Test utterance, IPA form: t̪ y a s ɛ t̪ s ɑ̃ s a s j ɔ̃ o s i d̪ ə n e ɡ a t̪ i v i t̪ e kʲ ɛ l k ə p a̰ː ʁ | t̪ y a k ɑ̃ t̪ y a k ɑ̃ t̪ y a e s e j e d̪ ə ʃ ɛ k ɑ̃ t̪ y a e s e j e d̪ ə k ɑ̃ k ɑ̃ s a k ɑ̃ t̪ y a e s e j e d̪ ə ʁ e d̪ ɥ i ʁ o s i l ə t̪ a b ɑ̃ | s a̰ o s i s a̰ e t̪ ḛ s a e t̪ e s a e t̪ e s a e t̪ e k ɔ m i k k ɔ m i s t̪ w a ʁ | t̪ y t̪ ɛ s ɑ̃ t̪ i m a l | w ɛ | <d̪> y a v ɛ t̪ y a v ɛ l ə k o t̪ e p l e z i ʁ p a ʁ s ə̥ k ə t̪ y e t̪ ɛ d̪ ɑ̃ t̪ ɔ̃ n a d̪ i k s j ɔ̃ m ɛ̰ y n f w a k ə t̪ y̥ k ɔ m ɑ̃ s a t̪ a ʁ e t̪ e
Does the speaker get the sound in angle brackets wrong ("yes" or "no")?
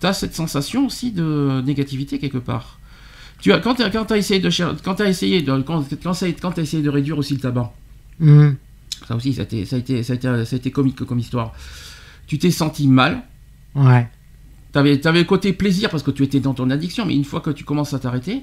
yes